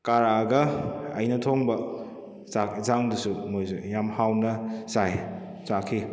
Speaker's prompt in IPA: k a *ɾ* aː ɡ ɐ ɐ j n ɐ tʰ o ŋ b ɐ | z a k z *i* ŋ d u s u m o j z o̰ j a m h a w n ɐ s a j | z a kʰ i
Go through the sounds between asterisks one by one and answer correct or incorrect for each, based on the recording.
correct, incorrect: a

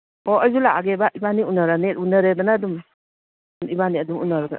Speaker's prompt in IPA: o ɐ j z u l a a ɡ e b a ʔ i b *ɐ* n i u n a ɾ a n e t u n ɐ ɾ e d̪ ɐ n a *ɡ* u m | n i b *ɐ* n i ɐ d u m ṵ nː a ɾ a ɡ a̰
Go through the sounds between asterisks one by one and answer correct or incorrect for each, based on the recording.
incorrect: a, incorrect: d, incorrect: a

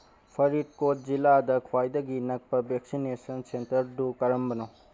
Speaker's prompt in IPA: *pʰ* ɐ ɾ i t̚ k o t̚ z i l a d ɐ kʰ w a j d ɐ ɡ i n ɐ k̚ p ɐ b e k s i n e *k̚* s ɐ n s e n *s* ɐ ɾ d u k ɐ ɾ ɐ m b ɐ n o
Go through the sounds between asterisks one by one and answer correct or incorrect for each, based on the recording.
correct, incorrect: none, incorrect: t

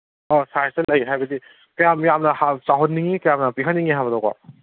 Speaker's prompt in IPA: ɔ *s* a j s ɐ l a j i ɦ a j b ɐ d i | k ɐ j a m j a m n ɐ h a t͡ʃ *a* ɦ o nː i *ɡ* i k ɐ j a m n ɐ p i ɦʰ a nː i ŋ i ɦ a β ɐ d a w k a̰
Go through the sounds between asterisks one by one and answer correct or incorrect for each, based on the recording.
correct, correct, incorrect: ŋ

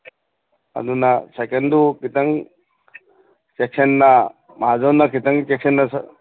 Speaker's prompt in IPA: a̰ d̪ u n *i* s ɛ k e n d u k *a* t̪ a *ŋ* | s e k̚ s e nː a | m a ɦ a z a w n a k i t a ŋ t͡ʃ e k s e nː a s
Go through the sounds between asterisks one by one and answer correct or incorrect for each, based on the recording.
incorrect: a, incorrect: i, correct

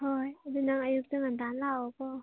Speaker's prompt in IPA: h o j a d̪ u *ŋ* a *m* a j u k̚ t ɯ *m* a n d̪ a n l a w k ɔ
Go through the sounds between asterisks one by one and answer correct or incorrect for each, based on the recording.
incorrect: n, incorrect: ŋ, incorrect: ŋ

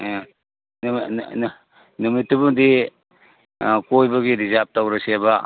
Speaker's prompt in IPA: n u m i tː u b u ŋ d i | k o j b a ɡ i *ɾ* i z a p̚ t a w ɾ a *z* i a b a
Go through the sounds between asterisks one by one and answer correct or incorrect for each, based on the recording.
correct, incorrect: s

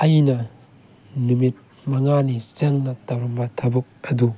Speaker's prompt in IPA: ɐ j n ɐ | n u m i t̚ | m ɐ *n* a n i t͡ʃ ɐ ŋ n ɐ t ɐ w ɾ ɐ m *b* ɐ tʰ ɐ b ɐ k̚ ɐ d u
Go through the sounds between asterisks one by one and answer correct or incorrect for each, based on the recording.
incorrect: ŋ, correct

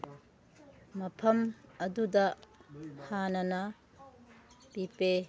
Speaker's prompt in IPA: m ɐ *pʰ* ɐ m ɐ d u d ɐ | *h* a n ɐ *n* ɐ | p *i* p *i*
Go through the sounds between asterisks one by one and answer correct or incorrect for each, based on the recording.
correct, correct, correct, correct, incorrect: e

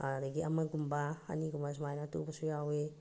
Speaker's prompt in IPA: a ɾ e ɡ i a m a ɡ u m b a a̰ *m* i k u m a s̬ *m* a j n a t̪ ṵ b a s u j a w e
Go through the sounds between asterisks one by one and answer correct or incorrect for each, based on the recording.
incorrect: n, correct

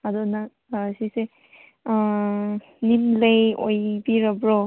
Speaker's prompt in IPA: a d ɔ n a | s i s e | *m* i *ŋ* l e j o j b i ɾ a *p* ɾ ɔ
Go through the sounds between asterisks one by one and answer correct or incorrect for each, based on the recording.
incorrect: n, incorrect: m, incorrect: b

